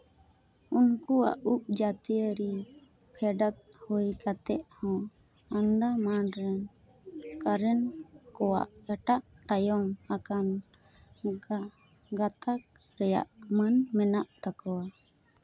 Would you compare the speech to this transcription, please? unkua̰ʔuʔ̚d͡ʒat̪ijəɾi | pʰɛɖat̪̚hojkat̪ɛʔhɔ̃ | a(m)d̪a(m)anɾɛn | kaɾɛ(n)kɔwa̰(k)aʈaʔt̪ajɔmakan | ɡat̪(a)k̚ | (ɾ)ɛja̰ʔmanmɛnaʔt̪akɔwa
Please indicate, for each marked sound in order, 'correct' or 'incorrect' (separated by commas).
incorrect, correct, correct, incorrect, correct, correct